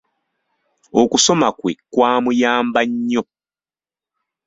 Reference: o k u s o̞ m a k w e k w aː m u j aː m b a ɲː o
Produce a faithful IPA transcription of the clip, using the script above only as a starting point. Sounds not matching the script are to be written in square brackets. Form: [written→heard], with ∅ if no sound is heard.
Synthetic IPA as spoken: o k u s o̞ m a k w e k w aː m u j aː m b a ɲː o

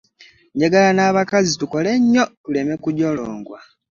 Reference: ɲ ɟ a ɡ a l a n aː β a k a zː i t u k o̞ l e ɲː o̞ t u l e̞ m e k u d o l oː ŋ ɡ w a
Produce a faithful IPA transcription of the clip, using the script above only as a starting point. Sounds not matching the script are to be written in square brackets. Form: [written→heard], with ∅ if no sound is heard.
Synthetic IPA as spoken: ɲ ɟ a ɡ a l a n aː β a k a [zː→z] i t u k o̞ l e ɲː o̞ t u l e̞ m e k u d o l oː ŋ ɡ w a

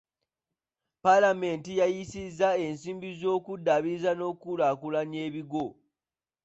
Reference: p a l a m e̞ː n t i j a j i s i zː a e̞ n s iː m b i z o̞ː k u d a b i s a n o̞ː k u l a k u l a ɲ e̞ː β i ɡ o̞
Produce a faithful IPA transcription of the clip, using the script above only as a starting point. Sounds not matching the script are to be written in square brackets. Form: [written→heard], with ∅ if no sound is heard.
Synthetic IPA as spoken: p a l a m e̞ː n t i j a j i s i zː a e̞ n s iː m b i z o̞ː k u d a [b→β] i [s→z] a n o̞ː k u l a k u l a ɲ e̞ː β i ɡ o̞

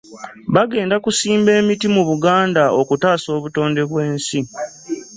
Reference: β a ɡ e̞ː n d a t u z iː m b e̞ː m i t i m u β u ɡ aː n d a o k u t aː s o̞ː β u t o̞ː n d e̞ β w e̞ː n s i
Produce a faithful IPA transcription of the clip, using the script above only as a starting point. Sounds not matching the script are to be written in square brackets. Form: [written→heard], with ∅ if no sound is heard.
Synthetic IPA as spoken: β a ɡ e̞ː n d a [t→k] u [z→s] iː m b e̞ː m i t i m u β u ɡ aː n d a o k u t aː s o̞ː β u t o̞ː n d e̞ β w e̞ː n s i

